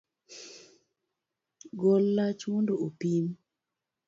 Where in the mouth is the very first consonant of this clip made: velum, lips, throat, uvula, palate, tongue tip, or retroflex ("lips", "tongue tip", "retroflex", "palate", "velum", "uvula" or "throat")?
velum